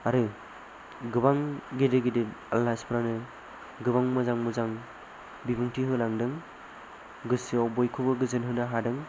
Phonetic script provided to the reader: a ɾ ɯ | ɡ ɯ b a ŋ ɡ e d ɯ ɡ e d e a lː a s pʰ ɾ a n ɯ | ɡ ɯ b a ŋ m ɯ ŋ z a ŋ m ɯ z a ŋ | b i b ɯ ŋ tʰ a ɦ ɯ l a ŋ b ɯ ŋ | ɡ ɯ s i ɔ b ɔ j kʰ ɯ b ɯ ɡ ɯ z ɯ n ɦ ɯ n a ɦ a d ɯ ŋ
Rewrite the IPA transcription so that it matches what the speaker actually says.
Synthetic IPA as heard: a ɾ ɯ | ɡ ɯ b a ŋ ɡ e d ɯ ɡ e d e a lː a s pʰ ɾ a n ɯ | ɡ ɯ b a ŋ m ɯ z a ŋ m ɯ z a ŋ | b i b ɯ ŋ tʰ i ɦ ɯ l a ŋ d ɯ ŋ | ɡ ɯ s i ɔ b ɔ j kʰ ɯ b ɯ ɡ ɯ z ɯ n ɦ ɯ n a ɦ a d ɯ ŋ